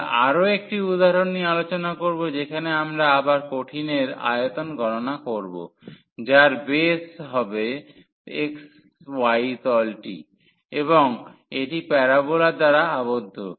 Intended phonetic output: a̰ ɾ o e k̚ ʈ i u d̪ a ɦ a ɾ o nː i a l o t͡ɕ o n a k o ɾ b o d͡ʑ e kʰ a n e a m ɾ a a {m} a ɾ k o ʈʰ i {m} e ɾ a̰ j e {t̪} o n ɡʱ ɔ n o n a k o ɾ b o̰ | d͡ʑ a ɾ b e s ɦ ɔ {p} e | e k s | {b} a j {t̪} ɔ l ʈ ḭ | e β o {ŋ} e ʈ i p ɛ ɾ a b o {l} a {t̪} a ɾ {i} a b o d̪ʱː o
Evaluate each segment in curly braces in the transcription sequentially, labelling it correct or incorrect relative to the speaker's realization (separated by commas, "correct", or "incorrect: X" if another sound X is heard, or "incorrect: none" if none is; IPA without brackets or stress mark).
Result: incorrect: b, incorrect: n, correct, incorrect: b, incorrect: w, correct, correct, correct, incorrect: d̪, incorrect: a